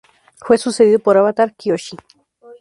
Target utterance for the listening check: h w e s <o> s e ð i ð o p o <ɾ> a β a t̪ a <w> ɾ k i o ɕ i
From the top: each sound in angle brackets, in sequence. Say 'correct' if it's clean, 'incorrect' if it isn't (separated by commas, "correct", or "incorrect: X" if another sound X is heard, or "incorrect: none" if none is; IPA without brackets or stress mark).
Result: incorrect: u, correct, incorrect: none